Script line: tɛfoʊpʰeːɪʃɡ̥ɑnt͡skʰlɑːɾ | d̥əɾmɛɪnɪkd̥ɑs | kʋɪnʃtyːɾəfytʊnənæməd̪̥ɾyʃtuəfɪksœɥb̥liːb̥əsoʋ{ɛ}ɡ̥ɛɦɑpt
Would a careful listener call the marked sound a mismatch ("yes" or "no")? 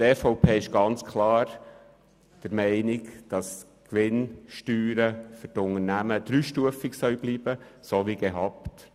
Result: yes